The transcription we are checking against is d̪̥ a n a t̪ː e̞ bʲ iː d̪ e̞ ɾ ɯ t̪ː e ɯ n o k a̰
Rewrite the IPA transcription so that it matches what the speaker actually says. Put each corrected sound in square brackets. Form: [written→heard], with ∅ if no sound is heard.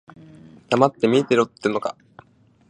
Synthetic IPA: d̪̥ a [n→m] a t̪ː e̞ [bʲ→mʲ] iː [d̪→t̪] e̞ ɾ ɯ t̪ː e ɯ n o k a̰